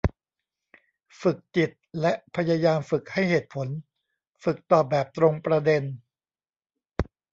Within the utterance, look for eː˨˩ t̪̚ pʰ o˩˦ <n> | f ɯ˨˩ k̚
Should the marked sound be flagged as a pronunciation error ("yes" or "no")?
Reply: no